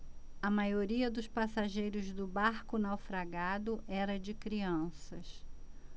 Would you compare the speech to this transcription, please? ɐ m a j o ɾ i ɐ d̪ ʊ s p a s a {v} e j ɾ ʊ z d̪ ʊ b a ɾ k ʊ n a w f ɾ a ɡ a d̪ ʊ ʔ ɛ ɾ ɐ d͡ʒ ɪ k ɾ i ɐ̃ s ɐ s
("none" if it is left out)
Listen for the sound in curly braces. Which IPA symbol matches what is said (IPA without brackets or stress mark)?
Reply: ʒ